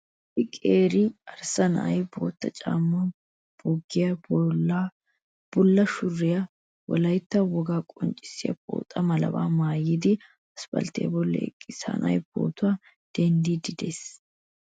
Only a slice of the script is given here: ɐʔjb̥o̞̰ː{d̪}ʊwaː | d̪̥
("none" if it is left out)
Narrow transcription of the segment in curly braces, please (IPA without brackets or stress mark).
t̪